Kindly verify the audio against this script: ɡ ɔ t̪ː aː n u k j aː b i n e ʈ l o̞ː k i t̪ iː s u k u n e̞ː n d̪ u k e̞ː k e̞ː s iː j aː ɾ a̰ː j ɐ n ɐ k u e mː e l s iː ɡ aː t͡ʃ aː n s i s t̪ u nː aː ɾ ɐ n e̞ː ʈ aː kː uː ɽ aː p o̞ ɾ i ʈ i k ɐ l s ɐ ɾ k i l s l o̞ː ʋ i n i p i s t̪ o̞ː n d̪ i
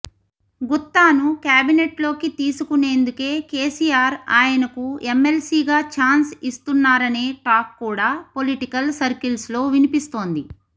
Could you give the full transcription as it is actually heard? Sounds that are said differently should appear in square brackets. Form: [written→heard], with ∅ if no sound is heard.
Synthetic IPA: ɡ [ɔ→u] t̪ː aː n u k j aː b i n e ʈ l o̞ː k i t̪ iː s u k u n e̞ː n d̪ u k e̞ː k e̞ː s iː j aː ɾ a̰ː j ɐ n ɐ k u e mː e l s iː ɡ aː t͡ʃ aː n s i s t̪ u nː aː ɾ ɐ n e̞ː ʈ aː kː uː ɽ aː p o̞ [ɾ→l] i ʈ i k ɐ l s ɐ ɾ k i l s l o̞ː ʋ i n i p i s t̪ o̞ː n d̪ i

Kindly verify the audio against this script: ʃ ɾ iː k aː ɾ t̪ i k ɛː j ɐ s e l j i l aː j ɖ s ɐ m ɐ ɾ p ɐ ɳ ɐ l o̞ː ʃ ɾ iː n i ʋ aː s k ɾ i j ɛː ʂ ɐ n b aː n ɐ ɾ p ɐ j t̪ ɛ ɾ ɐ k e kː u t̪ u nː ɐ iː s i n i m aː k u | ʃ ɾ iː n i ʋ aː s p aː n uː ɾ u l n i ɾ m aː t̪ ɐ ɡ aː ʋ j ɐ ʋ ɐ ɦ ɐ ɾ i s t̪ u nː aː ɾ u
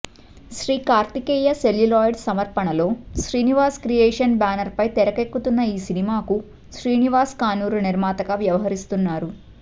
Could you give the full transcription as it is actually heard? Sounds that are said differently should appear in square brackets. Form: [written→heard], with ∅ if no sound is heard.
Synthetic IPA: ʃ ɾ iː k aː ɾ t̪ i k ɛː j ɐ s e l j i l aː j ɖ s ɐ m ɐ ɾ p ɐ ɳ ɐ l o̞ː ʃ ɾ iː n i ʋ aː s k ɾ i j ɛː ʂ ɐ n b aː n ɐ ɾ p ɐ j t̪ ɛ ɾ ɐ k e kː u t̪ u nː ɐ iː s i n i m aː k u | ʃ ɾ iː n i ʋ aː s [p→k] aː n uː ɾ u [l→∅] n i ɾ m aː t̪ ɐ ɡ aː ʋ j ɐ ʋ ɐ ɦ ɐ ɾ i s t̪ u nː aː ɾ u

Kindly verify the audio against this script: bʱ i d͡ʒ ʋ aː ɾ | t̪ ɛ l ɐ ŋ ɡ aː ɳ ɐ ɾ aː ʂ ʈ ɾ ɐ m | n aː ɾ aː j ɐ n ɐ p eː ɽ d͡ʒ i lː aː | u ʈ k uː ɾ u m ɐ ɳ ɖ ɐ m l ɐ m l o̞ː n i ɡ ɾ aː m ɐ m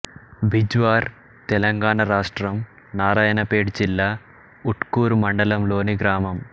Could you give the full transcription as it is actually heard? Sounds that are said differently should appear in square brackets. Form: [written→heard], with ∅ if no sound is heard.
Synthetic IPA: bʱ i d͡ʒ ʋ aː ɾ | t̪ ɛ l ɐ ŋ ɡ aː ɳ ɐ ɾ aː ʂ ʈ ɾ ɐ m | n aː ɾ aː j ɐ n ɐ p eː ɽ d͡ʒ i lː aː | u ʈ k uː ɾ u m ɐ ɳ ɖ ɐ [m→∅] l ɐ m l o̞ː n i ɡ ɾ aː m ɐ m

